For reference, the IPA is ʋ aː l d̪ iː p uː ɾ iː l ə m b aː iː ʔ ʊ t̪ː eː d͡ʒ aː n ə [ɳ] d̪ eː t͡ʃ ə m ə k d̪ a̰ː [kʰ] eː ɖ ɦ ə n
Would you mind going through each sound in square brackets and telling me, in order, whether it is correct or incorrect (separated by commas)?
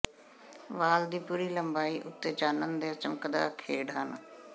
incorrect, correct